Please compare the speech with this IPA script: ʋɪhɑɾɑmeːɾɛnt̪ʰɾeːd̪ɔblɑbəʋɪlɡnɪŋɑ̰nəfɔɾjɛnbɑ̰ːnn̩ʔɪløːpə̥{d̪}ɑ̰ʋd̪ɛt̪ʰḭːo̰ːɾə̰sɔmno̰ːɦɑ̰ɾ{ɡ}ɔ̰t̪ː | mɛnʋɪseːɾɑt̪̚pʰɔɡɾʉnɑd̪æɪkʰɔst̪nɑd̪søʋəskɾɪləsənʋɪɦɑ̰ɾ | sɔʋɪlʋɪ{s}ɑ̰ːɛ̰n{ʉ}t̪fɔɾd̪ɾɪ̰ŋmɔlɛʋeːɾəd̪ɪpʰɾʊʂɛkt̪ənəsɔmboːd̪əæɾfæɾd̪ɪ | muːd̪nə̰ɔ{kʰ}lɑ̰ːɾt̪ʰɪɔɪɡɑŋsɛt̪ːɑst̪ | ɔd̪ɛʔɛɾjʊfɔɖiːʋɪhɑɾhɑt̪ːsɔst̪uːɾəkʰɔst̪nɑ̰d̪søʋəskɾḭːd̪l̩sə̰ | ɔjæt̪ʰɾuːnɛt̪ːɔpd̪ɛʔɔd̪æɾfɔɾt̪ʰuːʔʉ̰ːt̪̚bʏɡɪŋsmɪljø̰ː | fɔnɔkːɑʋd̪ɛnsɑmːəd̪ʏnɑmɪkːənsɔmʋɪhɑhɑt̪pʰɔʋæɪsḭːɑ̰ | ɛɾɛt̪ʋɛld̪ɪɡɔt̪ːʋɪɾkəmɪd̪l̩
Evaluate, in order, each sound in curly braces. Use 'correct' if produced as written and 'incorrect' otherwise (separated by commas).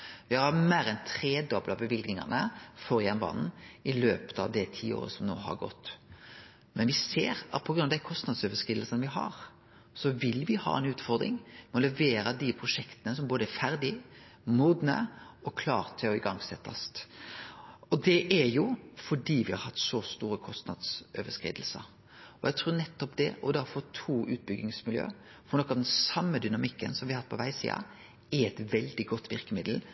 incorrect, correct, incorrect, incorrect, correct